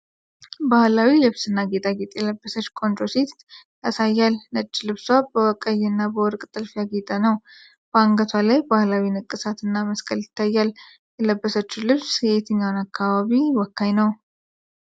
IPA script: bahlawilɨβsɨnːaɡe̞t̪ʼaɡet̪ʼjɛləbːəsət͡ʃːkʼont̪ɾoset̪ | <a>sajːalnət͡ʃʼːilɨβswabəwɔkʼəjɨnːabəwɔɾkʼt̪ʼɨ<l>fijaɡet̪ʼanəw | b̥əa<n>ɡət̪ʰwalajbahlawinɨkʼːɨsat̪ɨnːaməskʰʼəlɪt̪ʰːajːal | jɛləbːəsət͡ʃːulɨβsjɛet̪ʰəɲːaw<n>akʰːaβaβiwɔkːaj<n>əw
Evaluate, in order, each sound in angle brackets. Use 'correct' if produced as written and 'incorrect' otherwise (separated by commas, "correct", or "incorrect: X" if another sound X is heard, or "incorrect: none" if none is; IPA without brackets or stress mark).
correct, correct, incorrect: ŋ, correct, correct